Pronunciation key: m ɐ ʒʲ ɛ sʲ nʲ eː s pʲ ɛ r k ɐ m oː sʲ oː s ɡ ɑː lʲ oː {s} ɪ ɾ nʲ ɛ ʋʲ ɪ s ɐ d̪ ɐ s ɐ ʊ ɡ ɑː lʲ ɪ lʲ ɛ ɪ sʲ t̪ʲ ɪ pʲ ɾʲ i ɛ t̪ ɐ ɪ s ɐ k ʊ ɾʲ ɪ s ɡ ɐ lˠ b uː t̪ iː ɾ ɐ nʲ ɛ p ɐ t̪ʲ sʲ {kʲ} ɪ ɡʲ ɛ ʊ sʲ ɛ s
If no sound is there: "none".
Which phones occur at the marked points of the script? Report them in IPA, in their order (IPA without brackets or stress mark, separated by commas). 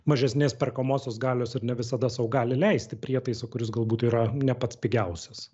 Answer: s, pʲ